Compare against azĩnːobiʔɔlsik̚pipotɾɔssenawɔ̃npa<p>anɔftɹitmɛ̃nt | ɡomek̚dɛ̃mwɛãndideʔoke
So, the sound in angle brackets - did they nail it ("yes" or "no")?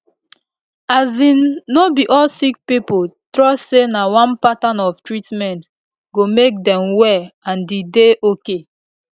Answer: no